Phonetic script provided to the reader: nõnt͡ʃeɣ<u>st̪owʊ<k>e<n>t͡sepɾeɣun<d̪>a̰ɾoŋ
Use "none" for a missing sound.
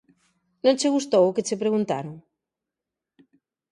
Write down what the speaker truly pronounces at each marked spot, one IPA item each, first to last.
u, k, none, t̪

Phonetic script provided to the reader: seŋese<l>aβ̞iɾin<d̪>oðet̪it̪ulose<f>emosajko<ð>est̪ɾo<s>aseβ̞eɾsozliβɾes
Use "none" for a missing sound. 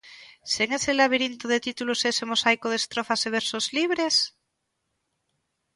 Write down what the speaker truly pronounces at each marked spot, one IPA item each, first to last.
l, t̪, s, ð, f

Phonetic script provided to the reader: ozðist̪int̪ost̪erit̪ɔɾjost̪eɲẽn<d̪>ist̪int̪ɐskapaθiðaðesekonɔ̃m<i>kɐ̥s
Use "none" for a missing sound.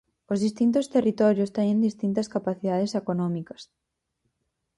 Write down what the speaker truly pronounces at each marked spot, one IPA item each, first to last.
d̪, i

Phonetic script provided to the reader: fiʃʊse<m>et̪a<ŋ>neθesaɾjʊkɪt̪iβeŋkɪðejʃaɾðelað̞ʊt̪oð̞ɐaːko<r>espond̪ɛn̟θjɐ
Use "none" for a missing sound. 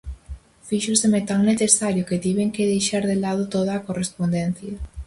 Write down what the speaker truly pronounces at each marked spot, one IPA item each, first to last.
m, ŋ, r

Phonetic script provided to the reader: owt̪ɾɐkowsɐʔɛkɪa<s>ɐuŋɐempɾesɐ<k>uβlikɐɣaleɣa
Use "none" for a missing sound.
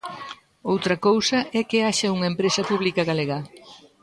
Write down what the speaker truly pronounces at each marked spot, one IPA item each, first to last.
ʃ, p

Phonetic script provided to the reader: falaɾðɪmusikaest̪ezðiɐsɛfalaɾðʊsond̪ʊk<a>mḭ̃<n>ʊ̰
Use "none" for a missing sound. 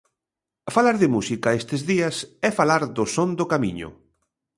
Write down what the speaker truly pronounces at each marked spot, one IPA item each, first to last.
a, ɲ

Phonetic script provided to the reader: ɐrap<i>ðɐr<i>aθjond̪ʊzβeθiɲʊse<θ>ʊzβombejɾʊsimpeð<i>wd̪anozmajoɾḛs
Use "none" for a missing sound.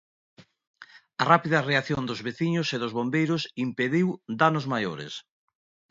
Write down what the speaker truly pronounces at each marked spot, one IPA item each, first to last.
i, e, ð, i

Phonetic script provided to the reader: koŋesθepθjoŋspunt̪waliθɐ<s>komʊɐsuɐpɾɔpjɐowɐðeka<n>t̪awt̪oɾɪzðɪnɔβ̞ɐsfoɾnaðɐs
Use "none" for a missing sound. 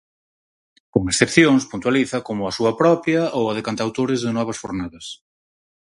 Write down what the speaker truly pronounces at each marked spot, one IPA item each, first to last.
none, n

